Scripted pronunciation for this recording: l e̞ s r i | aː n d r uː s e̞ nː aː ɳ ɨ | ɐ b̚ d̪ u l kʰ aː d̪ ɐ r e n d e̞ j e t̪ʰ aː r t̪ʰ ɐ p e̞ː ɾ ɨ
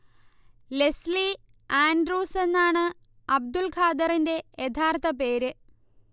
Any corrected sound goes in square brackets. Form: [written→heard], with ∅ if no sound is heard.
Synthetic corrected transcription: l e̞ s [r→l] i | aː n d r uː s e̞ nː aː ɳ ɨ | ɐ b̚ d̪ u l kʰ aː d̪ ɐ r [e→i] n d e̞ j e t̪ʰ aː r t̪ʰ ɐ p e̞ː ɾ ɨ